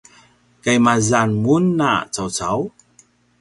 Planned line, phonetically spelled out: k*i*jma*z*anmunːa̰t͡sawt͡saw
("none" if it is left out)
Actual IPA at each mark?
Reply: a, z

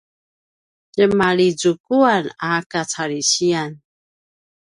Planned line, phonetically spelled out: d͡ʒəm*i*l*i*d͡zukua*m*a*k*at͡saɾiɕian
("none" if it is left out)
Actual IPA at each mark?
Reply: a, i, n, k

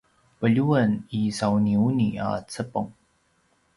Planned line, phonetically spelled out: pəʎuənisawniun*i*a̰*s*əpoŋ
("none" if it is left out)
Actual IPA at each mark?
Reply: i, t͡s

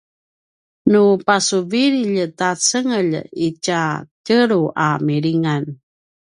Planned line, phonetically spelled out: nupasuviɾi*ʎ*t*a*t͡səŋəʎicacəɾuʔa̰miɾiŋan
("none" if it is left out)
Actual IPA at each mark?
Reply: ʎ, a

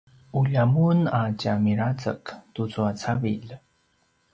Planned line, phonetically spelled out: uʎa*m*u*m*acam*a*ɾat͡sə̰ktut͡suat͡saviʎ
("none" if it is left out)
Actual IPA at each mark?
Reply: m, n, i

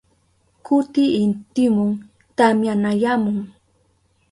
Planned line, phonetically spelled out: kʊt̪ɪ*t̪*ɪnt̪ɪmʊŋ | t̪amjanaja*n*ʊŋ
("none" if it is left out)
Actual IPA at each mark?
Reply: none, m

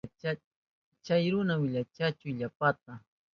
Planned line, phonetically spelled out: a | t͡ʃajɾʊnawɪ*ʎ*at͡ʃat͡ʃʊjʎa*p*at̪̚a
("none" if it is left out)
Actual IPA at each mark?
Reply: ʎ, p

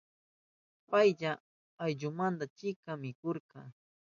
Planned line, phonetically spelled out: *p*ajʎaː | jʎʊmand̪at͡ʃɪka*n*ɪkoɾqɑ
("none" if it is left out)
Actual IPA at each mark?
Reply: p, m

